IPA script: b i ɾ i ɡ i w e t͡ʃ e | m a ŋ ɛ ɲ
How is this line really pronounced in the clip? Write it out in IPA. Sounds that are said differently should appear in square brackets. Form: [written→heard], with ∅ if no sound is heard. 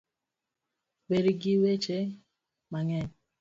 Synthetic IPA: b [i→e] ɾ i ɡ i w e t͡ʃ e | m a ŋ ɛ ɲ

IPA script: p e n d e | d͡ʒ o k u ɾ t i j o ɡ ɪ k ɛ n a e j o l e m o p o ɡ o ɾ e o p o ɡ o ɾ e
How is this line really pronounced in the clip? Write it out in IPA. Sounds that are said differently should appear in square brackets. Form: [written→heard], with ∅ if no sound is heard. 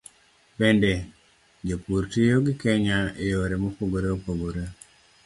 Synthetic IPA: p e n d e | d͡ʒ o [k→p] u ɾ t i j o ɡ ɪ k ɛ [n→ɲ] a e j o [l→ɾ] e m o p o ɡ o ɾ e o p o ɡ o ɾ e

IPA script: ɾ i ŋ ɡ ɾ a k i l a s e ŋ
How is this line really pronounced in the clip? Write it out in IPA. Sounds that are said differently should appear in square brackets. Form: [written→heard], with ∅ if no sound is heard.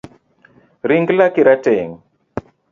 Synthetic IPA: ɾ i ŋ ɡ [ɾ→l] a k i [l→ɾ] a [s→t] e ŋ

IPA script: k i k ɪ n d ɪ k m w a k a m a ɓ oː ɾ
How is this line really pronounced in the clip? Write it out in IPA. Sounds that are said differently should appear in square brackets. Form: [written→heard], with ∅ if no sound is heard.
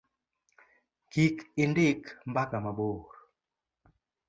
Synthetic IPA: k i k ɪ n d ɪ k m [w→b] a k a m a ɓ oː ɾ

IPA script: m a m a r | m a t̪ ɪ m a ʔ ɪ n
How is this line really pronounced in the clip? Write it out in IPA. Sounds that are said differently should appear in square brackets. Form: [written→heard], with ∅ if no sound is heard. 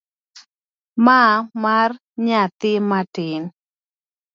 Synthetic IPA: m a m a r | [m→ɲ] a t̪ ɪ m a [ʔ→t] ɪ n

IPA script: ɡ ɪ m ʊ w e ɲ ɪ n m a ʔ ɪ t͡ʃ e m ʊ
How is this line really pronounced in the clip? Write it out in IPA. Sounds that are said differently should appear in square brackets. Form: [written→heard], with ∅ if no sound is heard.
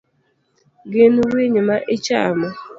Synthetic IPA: ɡ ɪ [m→n] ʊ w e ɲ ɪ [n→∅] m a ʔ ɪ t͡ʃ [e→a] m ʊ

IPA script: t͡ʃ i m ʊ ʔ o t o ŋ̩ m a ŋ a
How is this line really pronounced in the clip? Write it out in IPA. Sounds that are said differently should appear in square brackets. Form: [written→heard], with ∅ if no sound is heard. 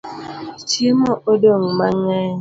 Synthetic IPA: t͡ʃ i m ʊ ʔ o [t→d] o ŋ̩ m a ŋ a

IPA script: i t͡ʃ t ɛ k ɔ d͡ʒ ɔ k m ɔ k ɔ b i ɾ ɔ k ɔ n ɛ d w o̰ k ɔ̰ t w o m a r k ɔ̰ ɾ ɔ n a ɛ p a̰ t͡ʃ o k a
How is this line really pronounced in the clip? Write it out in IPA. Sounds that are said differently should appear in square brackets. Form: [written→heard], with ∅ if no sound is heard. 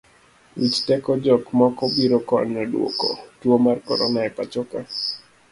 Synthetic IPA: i t͡ʃ t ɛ k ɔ d͡ʒ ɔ k m ɔ k ɔ b i ɾ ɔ k ɔ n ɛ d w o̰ k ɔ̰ t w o m a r k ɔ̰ ɾ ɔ n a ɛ p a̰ t͡ʃ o k a

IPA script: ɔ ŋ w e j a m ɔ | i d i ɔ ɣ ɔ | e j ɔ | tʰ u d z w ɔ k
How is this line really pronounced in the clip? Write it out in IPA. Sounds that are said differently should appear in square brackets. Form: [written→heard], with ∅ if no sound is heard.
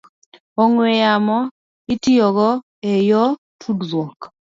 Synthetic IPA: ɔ ŋ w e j a m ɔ | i [d→t] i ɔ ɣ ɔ | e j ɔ | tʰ u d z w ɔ k

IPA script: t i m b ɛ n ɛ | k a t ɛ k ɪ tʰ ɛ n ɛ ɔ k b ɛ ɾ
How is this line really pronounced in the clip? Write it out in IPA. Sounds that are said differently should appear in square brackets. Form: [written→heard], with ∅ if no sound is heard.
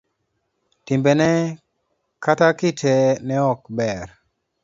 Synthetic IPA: t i m b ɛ n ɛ | k a t [ɛ→a] k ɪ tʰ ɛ n ɛ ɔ k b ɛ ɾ

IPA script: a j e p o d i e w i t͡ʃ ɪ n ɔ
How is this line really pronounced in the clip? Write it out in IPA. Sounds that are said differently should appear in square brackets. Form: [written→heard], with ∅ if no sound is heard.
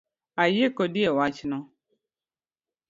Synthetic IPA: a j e [p→k] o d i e w [i→a] t͡ʃ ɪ n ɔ

